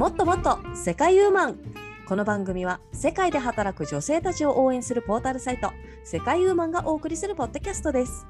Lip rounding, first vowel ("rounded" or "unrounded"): rounded